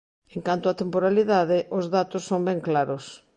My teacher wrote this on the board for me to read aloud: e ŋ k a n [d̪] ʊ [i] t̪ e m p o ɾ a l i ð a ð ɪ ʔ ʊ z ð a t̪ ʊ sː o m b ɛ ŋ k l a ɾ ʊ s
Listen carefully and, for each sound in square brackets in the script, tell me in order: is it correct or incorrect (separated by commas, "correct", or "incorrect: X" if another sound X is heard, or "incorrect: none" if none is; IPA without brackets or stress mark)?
incorrect: t̪, incorrect: a